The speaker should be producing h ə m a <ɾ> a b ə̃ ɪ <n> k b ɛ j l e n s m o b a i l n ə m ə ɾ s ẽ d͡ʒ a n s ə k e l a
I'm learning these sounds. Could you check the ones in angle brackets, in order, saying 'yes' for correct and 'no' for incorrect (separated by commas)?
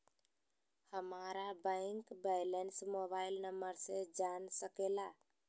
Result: yes, no